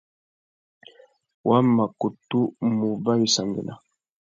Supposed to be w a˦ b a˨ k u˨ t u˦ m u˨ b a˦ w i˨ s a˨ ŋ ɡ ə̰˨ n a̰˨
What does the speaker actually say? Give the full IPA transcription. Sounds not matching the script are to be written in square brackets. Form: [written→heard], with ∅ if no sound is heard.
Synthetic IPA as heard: w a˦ [b→m] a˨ k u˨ t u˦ m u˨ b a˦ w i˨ s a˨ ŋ ɡ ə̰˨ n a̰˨